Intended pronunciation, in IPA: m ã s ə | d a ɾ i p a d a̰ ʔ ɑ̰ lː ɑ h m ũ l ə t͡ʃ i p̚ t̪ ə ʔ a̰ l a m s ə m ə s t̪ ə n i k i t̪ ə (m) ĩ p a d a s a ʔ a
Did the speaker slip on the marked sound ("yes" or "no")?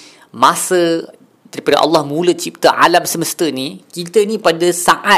yes